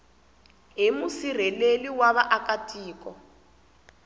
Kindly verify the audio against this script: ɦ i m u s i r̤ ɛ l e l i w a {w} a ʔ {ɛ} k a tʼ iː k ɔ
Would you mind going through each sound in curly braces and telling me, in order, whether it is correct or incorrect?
incorrect: β, incorrect: a

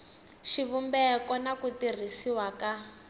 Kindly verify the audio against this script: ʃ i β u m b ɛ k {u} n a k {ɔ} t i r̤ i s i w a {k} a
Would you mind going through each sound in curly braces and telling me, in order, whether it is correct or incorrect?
incorrect: ɔ, incorrect: u, correct

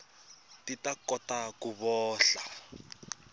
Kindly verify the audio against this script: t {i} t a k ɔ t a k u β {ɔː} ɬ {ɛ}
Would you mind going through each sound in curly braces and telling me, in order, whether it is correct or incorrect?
correct, correct, incorrect: a

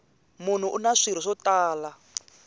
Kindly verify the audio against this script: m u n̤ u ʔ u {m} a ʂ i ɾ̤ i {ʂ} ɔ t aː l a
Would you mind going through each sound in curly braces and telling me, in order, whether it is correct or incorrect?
incorrect: n, correct

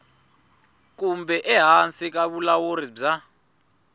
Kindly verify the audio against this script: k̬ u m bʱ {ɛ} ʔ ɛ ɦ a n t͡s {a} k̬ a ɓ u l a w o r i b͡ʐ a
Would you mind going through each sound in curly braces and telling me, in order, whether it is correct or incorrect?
correct, incorrect: i

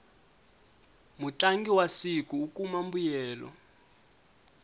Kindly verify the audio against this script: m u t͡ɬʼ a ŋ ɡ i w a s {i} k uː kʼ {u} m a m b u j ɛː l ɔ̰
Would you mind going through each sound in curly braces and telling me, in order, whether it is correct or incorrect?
correct, correct

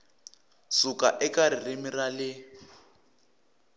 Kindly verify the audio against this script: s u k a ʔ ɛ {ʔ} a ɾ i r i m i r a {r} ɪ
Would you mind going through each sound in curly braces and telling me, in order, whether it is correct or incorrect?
incorrect: k, incorrect: l

